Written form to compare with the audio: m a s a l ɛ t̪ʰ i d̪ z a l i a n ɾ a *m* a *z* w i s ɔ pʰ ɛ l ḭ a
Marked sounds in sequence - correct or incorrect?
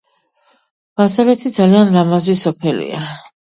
correct, correct

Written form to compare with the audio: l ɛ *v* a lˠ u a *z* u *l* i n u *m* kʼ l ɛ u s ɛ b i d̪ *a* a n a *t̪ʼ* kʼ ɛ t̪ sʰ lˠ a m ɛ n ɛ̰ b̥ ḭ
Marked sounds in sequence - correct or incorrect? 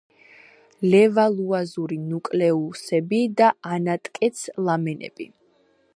correct, correct, incorrect: ɾ, incorrect: none, correct, correct

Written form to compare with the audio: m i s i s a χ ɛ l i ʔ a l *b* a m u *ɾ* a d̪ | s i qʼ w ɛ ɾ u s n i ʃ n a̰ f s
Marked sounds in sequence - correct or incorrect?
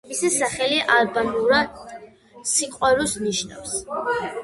correct, correct

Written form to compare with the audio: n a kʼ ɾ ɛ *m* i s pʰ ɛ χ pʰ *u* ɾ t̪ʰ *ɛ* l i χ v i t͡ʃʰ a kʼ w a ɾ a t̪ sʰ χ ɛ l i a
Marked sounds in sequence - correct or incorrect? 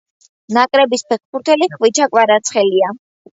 incorrect: b, correct, correct

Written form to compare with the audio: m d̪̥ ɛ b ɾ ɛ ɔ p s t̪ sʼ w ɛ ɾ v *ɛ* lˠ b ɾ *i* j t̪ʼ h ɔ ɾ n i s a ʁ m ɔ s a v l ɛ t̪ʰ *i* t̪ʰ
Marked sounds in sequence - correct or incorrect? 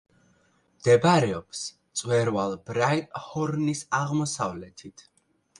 incorrect: a, incorrect: a, correct

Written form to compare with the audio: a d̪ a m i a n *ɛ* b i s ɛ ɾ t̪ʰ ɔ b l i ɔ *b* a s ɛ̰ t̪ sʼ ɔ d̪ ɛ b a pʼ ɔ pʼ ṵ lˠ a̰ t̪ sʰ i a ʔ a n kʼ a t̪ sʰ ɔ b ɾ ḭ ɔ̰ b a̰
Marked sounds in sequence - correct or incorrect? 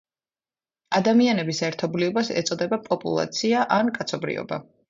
correct, correct

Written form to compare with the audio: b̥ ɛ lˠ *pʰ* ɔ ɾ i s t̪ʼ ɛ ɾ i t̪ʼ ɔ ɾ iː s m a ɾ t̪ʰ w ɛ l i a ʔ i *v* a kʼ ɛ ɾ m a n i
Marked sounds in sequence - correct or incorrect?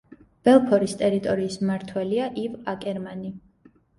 correct, correct

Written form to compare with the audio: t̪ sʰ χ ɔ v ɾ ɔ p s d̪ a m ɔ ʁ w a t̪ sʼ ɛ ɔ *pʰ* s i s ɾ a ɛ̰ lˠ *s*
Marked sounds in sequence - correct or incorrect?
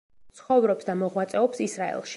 incorrect: p, incorrect: ʃ

